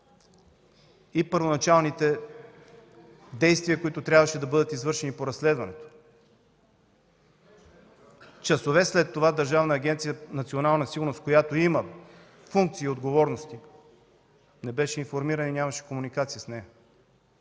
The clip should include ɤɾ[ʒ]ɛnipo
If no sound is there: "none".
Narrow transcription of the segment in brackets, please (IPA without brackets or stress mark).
ʃ